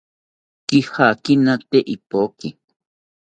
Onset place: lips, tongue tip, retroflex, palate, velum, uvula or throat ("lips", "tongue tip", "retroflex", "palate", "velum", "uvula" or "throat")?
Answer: velum